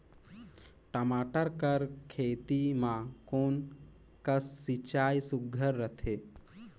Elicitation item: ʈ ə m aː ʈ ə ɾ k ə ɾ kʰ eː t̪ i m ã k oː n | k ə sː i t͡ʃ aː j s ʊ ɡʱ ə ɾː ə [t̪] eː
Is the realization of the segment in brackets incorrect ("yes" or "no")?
yes